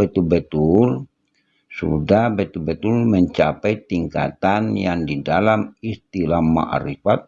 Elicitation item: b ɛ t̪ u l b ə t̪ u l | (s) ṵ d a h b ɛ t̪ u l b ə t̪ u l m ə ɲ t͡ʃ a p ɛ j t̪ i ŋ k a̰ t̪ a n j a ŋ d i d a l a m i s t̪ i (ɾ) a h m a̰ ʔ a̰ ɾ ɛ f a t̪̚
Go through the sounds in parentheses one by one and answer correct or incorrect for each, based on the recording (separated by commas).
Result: correct, incorrect